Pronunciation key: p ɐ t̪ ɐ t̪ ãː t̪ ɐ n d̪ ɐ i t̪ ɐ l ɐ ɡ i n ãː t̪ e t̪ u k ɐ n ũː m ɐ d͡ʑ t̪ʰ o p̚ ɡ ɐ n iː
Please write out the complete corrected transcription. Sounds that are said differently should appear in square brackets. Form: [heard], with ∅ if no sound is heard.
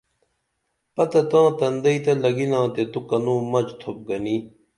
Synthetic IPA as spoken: p ɐ t̪ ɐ t̪ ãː t̪ ɐ n d̪ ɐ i t̪ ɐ l ɐ ɡ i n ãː t̪ e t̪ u k ɐ n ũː m ɐ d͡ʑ t̪ʰ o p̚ ɡ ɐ n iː